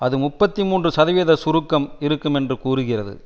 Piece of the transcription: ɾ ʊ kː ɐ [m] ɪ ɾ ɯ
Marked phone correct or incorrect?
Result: correct